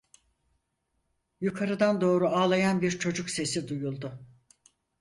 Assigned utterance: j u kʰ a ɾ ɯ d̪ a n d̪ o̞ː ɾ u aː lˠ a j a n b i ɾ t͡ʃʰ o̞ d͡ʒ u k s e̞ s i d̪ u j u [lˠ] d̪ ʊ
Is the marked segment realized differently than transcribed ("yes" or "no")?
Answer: no